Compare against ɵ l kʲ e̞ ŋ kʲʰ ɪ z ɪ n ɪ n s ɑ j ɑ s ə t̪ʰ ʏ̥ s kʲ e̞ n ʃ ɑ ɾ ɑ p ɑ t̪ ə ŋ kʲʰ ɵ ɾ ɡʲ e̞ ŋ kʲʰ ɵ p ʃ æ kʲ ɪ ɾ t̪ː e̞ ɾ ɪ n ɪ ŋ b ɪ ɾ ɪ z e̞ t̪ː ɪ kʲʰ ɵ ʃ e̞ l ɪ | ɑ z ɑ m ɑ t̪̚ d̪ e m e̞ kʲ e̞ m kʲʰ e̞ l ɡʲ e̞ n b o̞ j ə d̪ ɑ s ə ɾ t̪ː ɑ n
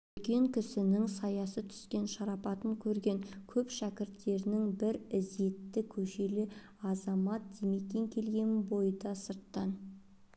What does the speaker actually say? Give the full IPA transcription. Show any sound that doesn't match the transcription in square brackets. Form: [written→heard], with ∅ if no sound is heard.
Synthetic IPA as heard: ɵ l kʲ e̞ ŋ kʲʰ ɪ [z→s] ɪ n ɪ [n→ŋ] s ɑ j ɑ s ə t̪ʰ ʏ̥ s kʲ e̞ n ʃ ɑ ɾ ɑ p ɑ t̪ ə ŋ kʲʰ ɵ ɾ ɡʲ e̞ ŋ kʲʰ ɵ p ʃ æ kʲ ɪ ɾ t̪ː e̞ ɾ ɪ n ɪ ŋ b ɪ ɾ ɪ z e̞ t̪ː ɪ kʲʰ ɵ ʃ e̞ l ɪ | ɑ z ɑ m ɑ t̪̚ d̪ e m e̞ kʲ e̞ [m→ŋ] kʲʰ e̞ l ɡʲ e̞ n b o̞ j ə d̪ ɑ s ə ɾ t̪ː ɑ n